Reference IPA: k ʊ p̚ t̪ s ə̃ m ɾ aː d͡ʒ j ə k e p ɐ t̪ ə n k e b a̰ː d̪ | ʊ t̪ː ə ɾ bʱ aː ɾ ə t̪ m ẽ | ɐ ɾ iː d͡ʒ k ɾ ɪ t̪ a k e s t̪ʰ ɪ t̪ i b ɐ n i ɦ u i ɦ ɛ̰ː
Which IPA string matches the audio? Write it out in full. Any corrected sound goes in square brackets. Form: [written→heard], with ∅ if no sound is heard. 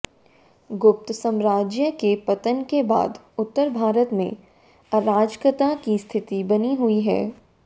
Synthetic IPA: [k→ɡ] ʊ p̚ t̪ s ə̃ m ɾ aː d͡ʒ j ə k e p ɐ t̪ ə n k e b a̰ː d̪ | ʊ t̪ː ə ɾ bʱ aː ɾ ə t̪ m ẽ | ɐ ɾ [iː→aː] d͡ʒ k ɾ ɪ t̪ a k [e→i] s t̪ʰ ɪ t̪ i b ɐ n i ɦ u i ɦ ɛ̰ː

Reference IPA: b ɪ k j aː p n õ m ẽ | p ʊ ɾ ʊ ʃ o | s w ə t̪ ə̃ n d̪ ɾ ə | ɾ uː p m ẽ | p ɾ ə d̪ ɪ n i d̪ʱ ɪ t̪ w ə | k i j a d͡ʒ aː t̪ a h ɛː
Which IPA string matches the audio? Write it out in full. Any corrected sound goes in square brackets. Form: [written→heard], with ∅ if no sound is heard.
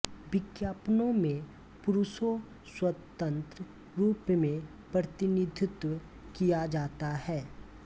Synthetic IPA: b ɪ k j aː p n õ m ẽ | p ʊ ɾ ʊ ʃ o | s w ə t̪ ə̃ n [d̪→t̪] ɾ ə | ɾ uː p m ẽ | p ɾ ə [d̪→t̪] ɪ n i d̪ʱ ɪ t̪ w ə | k i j a d͡ʒ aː t̪ a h ɛː

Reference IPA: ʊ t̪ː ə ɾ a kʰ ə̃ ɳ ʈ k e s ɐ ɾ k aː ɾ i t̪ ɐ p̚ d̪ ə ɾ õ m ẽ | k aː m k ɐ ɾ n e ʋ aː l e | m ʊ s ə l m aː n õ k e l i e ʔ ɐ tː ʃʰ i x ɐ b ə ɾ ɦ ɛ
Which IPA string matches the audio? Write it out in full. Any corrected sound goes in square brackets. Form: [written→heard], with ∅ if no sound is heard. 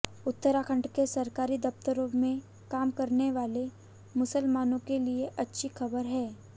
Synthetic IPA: ʊ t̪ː ə ɾ a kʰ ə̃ ɳ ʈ k e s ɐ ɾ k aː ɾ i [t̪→d̪] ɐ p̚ [d̪→t̪] ə ɾ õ m ẽ | k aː m k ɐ ɾ n e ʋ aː l e | m ʊ s ə l m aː n õ k e l i e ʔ ɐ tː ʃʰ i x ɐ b ə ɾ ɦ [ɛ→ɛː]

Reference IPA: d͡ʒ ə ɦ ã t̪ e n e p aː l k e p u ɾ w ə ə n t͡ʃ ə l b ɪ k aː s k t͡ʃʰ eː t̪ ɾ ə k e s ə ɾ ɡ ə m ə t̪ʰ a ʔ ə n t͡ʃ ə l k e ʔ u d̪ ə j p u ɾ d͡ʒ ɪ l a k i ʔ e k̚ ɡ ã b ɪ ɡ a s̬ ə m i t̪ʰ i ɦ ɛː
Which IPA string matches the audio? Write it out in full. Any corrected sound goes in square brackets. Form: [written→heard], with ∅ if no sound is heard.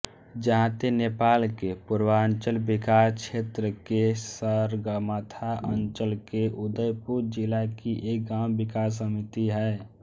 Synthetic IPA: d͡ʒ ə ɦ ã t̪ e n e p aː l k e p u ɾ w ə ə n t͡ʃ ə l b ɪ k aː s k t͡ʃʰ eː t̪ ɾ ə k e s ə ɾ ɡ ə m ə t̪ʰ a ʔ ə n t͡ʃ ə l k e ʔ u d̪ ə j p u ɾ d͡ʒ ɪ l a k i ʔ e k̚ ɡ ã b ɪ [ɡ→k] a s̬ ə m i [t̪ʰ→t̪] i ɦ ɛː

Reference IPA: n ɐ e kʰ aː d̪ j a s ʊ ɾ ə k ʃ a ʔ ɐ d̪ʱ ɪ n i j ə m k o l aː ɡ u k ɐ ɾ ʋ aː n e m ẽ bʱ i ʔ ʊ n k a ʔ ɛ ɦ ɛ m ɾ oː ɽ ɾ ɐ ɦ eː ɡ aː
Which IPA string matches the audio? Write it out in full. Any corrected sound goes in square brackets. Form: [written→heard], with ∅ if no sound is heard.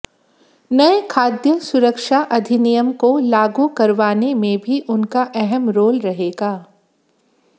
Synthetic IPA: n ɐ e kʰ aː d̪ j [a→ə] s ʊ ɾ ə k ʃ a ʔ ɐ d̪ʱ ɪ n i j ə m k o l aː ɡ u k ɐ ɾ ʋ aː n e m ẽ bʱ i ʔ ʊ n k a ʔ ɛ ɦ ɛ m ɾ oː [ɽ→l] ɾ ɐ ɦ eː ɡ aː

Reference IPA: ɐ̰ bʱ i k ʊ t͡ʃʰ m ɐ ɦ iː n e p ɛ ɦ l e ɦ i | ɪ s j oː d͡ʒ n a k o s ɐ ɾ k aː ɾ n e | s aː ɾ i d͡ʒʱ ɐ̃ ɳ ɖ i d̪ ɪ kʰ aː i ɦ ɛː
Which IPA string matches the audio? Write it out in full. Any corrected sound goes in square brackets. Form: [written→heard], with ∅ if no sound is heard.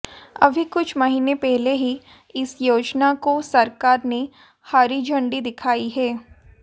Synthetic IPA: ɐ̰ bʱ i k ʊ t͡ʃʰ m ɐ ɦ iː n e p ɛ ɦ l e ɦ i | ɪ s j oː d͡ʒ n a k o s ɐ ɾ k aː ɾ n e | [s→h] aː ɾ i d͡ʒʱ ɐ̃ ɳ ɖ i d̪ ɪ kʰ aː i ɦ ɛː

